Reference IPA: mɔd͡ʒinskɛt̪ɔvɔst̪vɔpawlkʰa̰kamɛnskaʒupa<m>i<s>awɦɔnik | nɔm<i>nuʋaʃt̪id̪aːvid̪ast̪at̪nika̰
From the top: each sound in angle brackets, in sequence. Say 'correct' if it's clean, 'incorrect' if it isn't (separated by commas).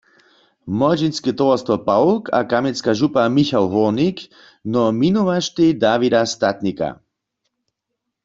correct, incorrect, correct